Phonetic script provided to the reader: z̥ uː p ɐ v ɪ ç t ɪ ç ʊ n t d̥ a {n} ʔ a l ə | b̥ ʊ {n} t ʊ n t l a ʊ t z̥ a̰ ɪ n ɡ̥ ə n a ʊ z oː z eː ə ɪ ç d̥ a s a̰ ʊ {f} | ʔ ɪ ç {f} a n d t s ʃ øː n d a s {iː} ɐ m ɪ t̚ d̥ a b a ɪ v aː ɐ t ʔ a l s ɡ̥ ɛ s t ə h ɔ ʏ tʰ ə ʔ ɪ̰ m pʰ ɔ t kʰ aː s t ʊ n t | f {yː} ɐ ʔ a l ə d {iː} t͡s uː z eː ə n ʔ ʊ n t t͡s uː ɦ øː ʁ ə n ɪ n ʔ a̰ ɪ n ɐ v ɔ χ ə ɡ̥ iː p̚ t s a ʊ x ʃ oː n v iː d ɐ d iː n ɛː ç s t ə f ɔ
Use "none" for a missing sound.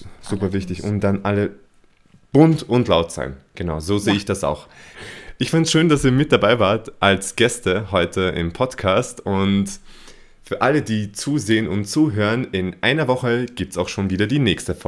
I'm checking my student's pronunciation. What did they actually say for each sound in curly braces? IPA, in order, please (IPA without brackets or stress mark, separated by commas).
n, n, x, f, iː, yː, iː